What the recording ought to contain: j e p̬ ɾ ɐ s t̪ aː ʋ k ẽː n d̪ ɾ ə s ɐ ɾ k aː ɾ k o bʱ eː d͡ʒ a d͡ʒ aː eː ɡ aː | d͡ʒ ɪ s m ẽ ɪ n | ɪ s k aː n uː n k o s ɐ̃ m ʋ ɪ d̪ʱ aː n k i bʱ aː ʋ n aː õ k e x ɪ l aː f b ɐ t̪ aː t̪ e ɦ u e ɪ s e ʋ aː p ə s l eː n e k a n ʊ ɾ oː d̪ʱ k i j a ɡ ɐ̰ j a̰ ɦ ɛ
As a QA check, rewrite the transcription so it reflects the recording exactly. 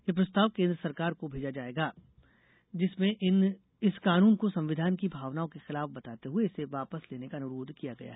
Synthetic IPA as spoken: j e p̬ ɾ ɐ s t̪ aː ʋ k ẽː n d̪ ɾ ə s ɐ ɾ k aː ɾ k o bʱ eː d͡ʒ a d͡ʒ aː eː ɡ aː | d͡ʒ ɪ s m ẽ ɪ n | ɪ s k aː n uː n k o s ɐ̃ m ʋ ɪ d̪ʱ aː n k i bʱ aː ʋ n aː õ k e x ɪ l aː f b ɐ t̪ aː t̪ e ɦ u e ɪ s e ʋ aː p ə s l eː n e k a n ʊ ɾ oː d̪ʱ k i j a ɡ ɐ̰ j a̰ ɦ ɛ